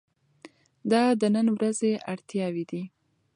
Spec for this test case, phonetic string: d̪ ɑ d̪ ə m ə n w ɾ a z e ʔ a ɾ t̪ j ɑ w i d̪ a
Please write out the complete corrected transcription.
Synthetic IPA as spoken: d̪ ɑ d̪ ə n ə n w ɾ a z e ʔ a ɽ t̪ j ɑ w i d̪ i